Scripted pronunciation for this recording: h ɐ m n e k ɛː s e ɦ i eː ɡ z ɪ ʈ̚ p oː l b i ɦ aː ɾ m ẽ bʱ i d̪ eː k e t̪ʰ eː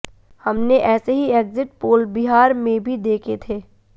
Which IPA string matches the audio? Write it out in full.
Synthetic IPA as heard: h ɐ m n e ʔ ɛː s e ɦ i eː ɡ z ɪ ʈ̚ p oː l b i ɦ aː ɾ m ẽ bʱ i d̪ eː kʰ e t̪ʰ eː